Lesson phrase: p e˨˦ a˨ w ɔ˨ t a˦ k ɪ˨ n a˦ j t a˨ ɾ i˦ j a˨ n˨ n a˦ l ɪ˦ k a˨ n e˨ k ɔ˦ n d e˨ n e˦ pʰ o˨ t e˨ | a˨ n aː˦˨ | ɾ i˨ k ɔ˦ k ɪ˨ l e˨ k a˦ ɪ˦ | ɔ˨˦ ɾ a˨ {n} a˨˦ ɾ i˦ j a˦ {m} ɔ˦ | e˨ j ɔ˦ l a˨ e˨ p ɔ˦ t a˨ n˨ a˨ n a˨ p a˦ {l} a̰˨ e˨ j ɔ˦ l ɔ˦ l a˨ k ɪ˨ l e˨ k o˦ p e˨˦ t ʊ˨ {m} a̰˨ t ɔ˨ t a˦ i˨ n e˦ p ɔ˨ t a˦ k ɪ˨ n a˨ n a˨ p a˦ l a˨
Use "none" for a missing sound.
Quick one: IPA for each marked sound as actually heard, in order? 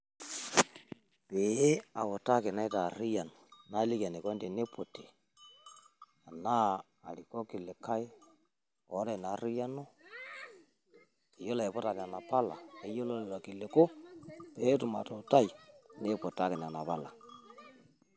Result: n, n, l, m

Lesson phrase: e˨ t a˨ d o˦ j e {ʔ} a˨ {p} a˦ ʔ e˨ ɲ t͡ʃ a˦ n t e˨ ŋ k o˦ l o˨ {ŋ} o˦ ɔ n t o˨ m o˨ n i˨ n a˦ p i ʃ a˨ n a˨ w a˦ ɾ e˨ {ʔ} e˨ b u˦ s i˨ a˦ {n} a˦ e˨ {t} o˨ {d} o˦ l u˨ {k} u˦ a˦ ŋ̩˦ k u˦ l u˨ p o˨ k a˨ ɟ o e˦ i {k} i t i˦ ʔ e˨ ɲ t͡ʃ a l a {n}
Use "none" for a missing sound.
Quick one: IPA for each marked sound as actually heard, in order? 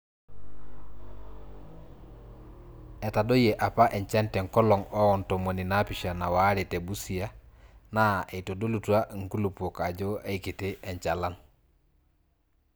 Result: ʔ, p, ŋ, t, n, t, d, t, k, n

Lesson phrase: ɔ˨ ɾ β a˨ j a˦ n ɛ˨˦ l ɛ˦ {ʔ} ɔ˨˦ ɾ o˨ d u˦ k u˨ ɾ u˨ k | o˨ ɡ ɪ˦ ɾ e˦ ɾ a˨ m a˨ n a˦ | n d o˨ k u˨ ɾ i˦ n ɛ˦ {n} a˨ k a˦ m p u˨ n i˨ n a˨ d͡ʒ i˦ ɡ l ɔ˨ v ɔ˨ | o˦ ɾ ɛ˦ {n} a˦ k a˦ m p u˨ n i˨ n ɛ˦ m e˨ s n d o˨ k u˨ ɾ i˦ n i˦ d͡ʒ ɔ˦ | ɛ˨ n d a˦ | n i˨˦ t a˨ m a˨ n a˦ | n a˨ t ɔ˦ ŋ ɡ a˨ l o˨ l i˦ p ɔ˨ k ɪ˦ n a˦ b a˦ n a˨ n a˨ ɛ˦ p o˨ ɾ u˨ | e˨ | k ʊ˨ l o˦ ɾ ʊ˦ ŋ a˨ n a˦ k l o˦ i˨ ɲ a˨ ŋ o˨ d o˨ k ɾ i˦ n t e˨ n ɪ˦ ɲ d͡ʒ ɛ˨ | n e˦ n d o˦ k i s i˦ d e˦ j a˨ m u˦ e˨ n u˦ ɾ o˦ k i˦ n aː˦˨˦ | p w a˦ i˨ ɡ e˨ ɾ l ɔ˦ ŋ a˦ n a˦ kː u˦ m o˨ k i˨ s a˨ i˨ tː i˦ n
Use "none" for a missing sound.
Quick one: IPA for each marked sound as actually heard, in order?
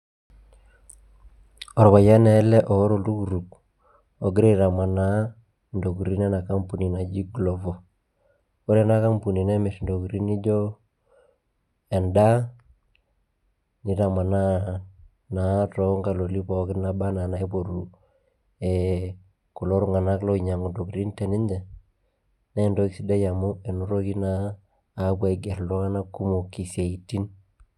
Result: ʔ, n, n

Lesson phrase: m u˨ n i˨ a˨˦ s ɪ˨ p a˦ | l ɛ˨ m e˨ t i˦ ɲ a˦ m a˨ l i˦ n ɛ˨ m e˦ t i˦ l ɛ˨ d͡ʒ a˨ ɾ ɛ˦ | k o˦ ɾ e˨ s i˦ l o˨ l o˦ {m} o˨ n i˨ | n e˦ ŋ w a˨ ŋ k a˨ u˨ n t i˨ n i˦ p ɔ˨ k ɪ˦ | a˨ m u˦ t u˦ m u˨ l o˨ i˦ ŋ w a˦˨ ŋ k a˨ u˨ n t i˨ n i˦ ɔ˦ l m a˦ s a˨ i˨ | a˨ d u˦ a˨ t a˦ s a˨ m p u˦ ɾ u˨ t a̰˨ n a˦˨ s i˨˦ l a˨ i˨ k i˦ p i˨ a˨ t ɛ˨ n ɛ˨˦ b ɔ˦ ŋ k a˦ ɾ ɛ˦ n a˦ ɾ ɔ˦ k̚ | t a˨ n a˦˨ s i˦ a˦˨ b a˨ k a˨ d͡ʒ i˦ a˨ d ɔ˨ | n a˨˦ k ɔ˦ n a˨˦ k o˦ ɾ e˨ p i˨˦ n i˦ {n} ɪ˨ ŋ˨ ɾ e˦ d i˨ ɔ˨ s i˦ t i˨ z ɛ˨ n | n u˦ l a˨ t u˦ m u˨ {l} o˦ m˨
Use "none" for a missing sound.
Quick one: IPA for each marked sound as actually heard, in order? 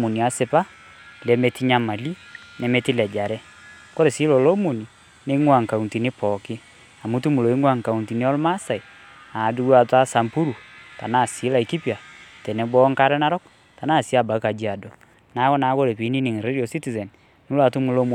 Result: m, n, l

